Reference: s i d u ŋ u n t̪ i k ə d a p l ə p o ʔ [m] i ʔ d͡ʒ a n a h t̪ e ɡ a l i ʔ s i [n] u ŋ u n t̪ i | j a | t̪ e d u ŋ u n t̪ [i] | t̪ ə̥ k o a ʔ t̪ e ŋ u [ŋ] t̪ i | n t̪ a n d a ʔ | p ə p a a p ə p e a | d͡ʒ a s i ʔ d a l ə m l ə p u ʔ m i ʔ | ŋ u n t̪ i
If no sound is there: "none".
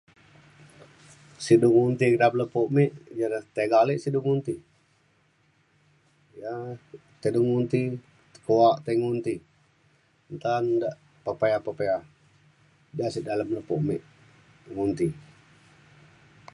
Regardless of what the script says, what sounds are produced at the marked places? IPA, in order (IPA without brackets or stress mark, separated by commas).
m, d, i, n